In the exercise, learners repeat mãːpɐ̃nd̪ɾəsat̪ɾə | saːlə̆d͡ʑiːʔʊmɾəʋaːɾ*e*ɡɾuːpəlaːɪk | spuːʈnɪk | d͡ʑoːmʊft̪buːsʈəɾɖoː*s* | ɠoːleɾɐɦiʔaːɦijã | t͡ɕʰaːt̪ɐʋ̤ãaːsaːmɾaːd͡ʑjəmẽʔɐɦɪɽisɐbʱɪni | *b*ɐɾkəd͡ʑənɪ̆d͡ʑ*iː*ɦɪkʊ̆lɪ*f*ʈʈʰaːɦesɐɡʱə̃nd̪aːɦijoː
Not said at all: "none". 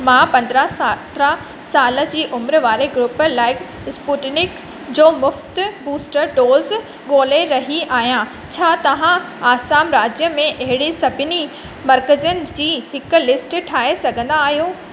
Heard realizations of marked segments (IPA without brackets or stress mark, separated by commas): e, z, m, iː, s